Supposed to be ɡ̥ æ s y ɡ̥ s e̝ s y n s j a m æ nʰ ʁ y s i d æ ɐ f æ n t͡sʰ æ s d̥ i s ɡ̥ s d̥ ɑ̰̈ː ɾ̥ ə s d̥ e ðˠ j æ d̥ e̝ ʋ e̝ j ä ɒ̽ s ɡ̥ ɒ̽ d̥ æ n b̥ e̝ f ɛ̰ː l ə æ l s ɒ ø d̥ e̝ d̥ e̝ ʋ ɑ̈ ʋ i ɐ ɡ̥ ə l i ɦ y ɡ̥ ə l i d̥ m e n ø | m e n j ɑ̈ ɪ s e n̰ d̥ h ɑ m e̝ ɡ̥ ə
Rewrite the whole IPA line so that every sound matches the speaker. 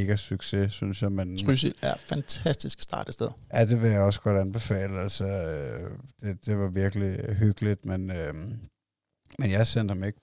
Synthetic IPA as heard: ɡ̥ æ s y ɡ̥ s e̝ s y n s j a m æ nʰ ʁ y s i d æ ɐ f æ n t͡sʰ æ s d̥ i s ɡ̥ s d̥ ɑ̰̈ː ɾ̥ ə s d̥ e ðˠ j æ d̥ e̝ ʋ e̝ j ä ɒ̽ s ɡ̥ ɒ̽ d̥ æ n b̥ e̝ f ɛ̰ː l ə æ l s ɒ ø d̥ e̝ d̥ e̝ ʋ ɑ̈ ʋ i ɐ ɡ̥ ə l i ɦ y ɡ̥ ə l i d̥ m e n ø | m e n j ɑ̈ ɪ s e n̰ d̥ h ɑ m e̝ ɡ̥ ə